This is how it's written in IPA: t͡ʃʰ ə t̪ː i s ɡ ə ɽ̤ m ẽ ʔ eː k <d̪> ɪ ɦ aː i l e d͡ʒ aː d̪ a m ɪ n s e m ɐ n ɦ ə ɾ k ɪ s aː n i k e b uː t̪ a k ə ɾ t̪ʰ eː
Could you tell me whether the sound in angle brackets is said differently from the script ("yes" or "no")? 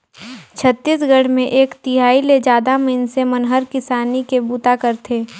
yes